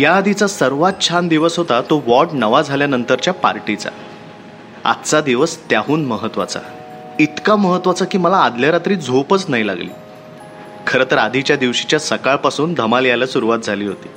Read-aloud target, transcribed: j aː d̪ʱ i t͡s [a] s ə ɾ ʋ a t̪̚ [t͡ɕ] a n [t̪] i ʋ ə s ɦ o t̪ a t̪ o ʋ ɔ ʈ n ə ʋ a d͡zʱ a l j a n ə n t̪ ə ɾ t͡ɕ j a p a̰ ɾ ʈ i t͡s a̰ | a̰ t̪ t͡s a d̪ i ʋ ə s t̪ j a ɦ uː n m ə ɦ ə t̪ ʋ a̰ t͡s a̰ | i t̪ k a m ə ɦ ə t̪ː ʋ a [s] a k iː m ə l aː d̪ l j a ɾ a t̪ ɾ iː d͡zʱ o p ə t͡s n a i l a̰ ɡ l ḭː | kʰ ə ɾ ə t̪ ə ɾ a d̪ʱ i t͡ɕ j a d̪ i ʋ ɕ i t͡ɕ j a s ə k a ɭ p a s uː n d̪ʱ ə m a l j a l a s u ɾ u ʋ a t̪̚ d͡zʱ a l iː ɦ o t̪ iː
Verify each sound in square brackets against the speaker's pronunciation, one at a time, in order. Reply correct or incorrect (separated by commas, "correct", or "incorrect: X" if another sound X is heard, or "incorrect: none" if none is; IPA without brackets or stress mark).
correct, incorrect: t͡ɕʰ, incorrect: d̪, incorrect: t͡s